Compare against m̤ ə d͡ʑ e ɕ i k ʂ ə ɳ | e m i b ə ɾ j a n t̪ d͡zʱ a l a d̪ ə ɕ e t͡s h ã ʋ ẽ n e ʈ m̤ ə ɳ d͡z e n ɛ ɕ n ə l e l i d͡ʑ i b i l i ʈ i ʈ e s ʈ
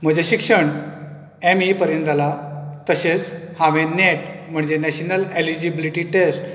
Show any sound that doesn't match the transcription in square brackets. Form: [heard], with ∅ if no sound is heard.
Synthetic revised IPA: m̤ ə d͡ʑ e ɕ i k ʂ ə ɳ | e m i [p] ə ɾ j [ə] n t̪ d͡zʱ a l a [t̪] ə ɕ e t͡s h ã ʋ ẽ n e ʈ m̤ ə ɳ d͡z e n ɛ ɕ n ə l e l i d͡ʑ i b i l i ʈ i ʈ e s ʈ